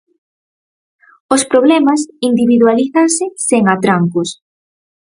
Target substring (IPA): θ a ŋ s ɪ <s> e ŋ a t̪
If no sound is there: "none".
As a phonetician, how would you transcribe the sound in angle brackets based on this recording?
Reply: s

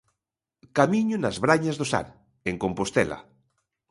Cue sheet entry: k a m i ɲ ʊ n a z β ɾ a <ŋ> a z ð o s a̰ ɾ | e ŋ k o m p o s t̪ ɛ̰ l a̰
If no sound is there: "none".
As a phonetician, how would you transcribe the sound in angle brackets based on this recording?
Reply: ɲ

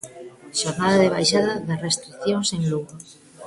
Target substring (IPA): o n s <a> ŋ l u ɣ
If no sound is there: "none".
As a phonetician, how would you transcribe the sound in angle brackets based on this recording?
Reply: e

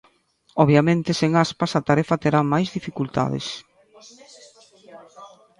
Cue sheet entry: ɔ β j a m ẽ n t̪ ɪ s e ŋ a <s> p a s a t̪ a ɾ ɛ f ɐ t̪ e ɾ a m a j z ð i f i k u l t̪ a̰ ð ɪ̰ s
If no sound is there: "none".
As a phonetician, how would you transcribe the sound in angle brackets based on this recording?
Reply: s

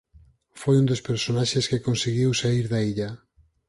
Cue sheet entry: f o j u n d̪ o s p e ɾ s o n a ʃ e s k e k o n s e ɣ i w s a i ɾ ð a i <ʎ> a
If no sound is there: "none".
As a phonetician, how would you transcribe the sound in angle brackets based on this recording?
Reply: ʎ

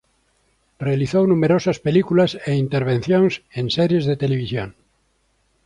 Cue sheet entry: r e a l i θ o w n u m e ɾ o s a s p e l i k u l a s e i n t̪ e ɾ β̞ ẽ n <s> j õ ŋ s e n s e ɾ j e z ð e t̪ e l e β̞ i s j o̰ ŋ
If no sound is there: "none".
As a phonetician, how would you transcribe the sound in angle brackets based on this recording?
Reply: θ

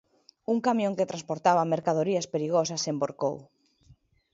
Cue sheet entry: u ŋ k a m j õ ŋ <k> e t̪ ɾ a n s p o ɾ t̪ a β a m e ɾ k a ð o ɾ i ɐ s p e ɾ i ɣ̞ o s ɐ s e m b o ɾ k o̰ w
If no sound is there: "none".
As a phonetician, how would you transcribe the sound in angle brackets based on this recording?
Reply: k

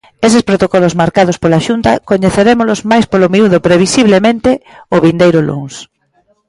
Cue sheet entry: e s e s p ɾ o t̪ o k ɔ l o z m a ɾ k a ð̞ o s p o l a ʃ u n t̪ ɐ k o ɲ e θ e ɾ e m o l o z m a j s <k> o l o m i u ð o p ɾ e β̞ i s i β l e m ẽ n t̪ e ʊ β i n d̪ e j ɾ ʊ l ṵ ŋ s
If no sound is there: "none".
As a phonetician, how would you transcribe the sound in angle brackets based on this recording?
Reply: p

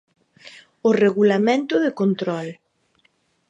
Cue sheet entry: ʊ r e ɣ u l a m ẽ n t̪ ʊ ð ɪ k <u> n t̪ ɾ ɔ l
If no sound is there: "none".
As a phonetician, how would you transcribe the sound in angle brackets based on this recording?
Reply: o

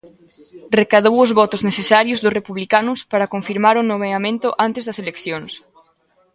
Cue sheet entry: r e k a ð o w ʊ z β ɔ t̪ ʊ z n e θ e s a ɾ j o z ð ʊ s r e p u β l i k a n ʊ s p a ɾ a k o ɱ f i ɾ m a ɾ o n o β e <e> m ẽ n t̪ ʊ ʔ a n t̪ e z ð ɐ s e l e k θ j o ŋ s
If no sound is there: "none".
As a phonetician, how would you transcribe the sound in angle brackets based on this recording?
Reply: a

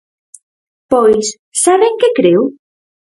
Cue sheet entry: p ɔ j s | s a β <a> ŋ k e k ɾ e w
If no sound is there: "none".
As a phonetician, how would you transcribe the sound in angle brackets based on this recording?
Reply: e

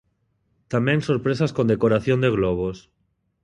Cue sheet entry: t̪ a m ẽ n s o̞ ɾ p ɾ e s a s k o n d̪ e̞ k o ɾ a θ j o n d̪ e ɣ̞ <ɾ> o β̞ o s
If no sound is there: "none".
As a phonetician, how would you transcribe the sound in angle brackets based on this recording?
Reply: l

